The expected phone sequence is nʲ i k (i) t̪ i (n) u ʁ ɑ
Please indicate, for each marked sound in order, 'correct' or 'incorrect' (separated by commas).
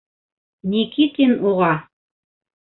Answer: correct, correct